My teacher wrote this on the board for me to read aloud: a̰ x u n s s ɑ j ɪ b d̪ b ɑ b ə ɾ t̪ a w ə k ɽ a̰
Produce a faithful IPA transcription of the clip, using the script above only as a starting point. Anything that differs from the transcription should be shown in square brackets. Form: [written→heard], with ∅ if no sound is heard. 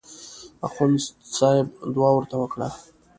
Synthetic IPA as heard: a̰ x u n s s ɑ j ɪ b d̪ [b→w] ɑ [b→w] ə ɾ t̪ a w ə k ɽ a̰